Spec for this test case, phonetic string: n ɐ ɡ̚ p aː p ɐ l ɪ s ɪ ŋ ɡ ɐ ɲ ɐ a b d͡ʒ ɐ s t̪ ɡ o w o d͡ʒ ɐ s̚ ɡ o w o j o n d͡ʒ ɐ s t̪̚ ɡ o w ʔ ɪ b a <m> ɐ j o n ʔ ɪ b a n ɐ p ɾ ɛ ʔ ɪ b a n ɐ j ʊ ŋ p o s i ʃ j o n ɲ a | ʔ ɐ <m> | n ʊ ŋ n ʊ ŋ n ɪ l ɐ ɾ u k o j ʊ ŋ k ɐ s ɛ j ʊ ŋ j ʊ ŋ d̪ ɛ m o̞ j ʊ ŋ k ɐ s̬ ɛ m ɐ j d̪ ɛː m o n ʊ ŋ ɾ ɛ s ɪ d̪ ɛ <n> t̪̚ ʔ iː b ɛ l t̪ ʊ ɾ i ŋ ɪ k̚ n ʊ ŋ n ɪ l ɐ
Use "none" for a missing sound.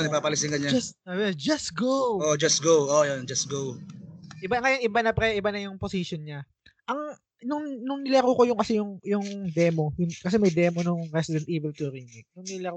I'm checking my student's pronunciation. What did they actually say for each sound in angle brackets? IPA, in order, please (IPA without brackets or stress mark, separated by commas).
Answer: ŋ, ŋ, n